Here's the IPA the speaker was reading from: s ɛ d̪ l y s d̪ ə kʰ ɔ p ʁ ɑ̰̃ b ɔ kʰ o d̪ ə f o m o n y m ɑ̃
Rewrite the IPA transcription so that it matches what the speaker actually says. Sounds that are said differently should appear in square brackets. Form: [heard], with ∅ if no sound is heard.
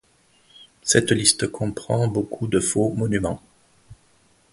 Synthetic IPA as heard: s ɛ [t̪] l [i] s [t̪] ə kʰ [ɔ̃] p [χ] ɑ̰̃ b [o] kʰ [u] d̪ ə f o m [ɔ] n y m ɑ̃

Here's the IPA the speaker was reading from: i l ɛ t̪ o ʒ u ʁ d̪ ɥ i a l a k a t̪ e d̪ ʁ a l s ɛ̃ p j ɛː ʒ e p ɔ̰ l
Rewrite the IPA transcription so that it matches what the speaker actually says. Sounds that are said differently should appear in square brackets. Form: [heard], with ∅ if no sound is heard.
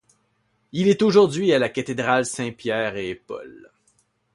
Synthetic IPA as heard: i l ɛ t̪ o ʒ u ʁ d̪ ɥ i a l a k a t̪ e d̪ ʁ a l s ɛ̃ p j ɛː [ʁ] e p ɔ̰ l

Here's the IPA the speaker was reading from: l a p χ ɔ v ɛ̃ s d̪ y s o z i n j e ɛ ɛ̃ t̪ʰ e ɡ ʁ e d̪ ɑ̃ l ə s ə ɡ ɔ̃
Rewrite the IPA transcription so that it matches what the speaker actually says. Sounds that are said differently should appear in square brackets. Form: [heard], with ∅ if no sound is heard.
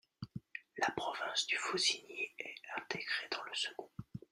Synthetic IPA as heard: l a p χ ɔ v ɛ̃ s d̪ y [f] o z i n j e ɛ ɛ̃ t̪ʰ e ɡ ʁ e d̪ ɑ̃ l ə s ə ɡ ɔ̃

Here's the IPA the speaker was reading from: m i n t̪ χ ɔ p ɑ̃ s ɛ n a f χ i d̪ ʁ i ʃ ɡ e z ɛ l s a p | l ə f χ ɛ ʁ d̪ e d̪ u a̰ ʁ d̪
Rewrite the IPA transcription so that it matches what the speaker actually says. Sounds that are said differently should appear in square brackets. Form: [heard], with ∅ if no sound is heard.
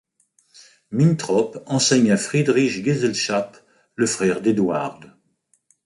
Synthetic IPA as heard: m i n t̪ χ ɔ p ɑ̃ s ɛ [ɲ] a f χ i d̪ ʁ i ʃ ɡ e z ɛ l [ʃ] a p | l ə f χ ɛ ʁ d̪ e d̪ [w] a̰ ʁ d̪

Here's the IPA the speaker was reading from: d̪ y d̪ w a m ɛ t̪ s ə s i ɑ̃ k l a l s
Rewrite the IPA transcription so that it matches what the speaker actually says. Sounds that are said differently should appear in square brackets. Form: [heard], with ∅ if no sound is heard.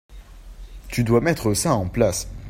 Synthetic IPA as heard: [t̪] y d̪ w a m ɛ t̪ [χ] ə s [a] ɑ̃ [p] l a [∅] s

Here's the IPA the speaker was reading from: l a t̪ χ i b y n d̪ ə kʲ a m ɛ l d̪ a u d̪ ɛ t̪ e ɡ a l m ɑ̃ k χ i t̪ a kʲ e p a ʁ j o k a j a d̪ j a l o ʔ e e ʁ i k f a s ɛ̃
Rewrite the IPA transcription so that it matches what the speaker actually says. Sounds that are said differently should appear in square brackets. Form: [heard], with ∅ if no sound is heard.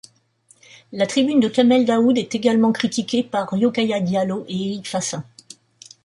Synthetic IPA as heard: l a t̪ χ i b y n d̪ ə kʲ a m ɛ l d̪ a u d̪ ɛ t̪ e ɡ a l m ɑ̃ k χ i t̪ [i] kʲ e p a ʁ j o k a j a d̪ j a l o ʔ e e ʁ i k f a s ɛ̃

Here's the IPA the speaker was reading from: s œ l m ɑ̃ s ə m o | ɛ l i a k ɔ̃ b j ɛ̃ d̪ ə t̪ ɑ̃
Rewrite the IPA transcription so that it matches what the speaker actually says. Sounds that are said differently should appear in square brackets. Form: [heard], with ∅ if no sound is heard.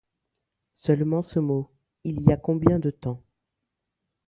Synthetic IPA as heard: s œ l m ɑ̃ s ə m o | [i] l i a k ɔ̃ b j ɛ̃ d̪ ə t̪ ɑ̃

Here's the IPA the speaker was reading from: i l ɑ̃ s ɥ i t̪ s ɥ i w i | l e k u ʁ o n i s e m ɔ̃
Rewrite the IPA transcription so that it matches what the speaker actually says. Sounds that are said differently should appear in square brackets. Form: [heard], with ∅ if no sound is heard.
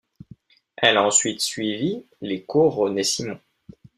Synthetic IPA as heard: [ɛ] l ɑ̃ s ɥ i t̪ s ɥ i [v] i | l e k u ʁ o n [e] s [i] m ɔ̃

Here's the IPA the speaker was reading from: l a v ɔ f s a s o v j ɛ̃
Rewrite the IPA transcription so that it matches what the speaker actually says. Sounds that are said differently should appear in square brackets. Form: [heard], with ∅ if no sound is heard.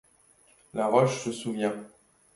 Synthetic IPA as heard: l a [ʁ] ɔ [ʃ] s [ə] s [u] v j ɛ̃

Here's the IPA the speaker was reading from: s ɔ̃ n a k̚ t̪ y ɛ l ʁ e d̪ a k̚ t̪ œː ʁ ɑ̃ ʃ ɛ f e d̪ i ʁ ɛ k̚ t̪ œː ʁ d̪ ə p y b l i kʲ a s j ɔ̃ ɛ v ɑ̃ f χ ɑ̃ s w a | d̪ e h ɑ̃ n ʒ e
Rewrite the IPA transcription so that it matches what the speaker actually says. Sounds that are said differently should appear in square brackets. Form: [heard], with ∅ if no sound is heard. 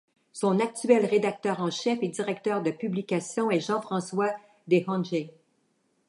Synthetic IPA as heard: s ɔ̃ n a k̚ t̪ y ɛ l ʁ e d̪ a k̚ t̪ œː ʁ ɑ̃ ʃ ɛ f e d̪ i ʁ ɛ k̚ t̪ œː ʁ d̪ ə p y b l i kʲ a s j ɔ̃ ɛ [ʒ] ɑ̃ f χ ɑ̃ s w a | d̪ e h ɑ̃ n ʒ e

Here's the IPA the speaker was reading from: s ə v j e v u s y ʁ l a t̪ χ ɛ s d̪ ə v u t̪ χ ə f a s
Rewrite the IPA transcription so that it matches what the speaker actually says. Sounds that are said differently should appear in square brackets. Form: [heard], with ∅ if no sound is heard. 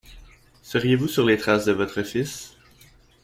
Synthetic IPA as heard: s ə [ʁ] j e v u s y ʁ l [e] t̪ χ [a] s d̪ ə v [ɔ] t̪ χ ə f [i] s

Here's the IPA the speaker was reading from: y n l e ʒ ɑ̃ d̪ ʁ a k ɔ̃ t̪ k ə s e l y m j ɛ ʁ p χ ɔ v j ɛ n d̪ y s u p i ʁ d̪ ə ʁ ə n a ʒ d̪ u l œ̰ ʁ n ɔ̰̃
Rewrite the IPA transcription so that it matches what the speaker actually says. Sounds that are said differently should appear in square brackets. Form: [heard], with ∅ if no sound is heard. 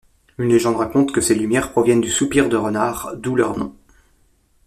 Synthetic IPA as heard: y n l e ʒ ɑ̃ d̪ ʁ a k ɔ̃ t̪ k ə s e l y m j ɛ ʁ p χ ɔ v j ɛ n d̪ y s u p i ʁ d̪ ə ʁ ə n a [ʁ] d̪ u l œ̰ ʁ n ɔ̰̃

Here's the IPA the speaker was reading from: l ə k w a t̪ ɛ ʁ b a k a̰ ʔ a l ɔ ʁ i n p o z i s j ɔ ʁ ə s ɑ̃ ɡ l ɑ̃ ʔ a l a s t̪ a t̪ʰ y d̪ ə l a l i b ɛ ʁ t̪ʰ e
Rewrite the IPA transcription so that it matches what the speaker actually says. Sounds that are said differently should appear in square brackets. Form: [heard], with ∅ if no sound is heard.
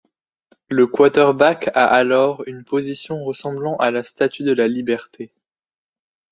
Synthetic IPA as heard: l ə k w a t̪ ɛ ʁ b a k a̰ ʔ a l ɔ ʁ [y] n p o z i s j [ɔ̃] ʁ ə s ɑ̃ [b] l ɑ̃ ʔ a l a s t̪ a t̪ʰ y d̪ ə l a l i b ɛ ʁ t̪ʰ e

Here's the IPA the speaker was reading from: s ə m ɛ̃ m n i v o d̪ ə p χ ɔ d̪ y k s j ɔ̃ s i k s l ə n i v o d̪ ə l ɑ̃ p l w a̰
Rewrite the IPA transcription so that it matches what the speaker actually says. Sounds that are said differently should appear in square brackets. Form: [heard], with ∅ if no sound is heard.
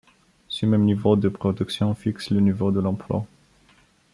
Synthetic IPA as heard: s ə m [ɛ] m n i v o d̪ ə p χ ɔ d̪ y k s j ɔ̃ [f] i k s l ə n i v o d̪ ə l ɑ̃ p l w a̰

